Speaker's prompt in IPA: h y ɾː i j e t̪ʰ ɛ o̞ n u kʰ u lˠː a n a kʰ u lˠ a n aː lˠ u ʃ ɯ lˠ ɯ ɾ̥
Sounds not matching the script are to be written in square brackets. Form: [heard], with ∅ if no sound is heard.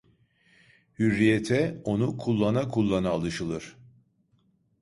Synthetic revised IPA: h y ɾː i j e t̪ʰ ɛ o̞ n u kʰ u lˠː a n a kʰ u [lˠː] a n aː lˠ [ɯ] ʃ ɯ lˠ ɯ ɾ̥

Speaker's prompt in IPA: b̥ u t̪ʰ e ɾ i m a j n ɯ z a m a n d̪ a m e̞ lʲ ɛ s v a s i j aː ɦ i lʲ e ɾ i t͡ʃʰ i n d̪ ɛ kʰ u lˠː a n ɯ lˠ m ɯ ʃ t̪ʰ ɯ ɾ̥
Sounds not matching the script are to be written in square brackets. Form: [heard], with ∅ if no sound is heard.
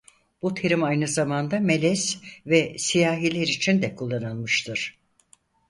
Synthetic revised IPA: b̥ u t̪ʰ e ɾ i m a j n ɯ z a m a n d̪ a m e̞ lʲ ɛ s v [ɛ] s i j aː ɦ i lʲ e ɾ i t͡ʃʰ i n d̪ ɛ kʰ u lˠː a n ɯ lˠ m ɯ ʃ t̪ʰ ɯ ɾ̥

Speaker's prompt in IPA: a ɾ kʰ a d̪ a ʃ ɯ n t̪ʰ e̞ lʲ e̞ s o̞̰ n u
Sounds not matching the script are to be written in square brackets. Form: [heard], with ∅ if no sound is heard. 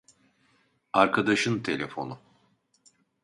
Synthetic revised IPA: a ɾ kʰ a d̪ a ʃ ɯ n t̪ʰ e̞ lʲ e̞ [f] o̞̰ n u

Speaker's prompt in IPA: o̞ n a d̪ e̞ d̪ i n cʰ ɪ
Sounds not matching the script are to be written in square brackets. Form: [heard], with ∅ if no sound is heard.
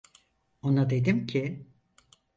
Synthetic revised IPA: o̞ n a d̪ e̞ d̪ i [m] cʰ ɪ

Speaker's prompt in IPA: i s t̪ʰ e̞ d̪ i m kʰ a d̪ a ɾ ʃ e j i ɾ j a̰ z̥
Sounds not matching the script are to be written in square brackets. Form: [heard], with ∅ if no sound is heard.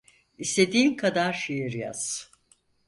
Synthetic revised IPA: i s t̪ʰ e̞ d̪ [iː] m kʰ a d̪ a ɾ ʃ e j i ɾ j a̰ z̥

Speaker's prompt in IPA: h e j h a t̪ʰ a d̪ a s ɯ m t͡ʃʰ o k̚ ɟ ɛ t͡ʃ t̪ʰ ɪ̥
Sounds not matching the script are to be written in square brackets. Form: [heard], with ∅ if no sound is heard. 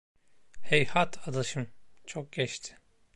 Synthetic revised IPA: h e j h a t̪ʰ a d̪ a [ʃ] ɯ m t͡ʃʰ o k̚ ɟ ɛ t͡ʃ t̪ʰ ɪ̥

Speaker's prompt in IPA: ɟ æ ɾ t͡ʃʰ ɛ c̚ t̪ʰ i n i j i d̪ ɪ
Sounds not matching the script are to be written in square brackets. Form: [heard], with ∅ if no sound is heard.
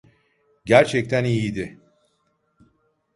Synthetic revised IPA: ɟ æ ɾ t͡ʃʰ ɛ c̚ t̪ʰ [æ] n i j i d̪ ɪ

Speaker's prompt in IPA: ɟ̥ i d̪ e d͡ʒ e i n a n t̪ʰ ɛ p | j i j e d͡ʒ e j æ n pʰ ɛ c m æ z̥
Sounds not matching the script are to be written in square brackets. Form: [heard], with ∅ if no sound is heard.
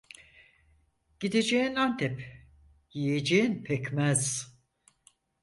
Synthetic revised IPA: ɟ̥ i d̪ e d͡ʒ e i n a n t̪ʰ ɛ p | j i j e d͡ʒ e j [i] n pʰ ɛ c m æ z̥

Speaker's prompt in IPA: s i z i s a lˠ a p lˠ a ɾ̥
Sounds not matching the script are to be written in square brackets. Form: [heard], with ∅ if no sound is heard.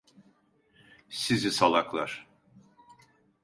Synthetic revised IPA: s i z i s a lˠ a [k] lˠ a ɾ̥

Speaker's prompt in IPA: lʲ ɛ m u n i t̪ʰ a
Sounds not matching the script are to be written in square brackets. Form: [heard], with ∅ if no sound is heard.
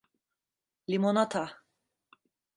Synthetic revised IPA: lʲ [i] m [o] n [a] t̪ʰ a

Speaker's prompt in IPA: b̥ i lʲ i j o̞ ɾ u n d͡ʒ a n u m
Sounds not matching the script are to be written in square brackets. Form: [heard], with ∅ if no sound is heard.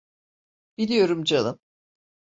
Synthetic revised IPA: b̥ i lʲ i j o̞ ɾ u [m] d͡ʒ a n [ɯ] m

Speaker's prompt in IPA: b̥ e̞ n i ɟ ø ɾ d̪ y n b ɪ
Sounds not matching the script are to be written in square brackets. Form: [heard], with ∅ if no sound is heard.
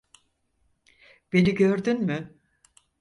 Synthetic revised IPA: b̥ e̞ n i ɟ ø ɾ d̪ y n [m] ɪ

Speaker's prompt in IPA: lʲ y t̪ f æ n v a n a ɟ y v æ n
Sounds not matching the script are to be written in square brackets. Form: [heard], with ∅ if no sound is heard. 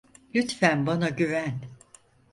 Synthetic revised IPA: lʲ y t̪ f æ n [b] a n a ɟ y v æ n

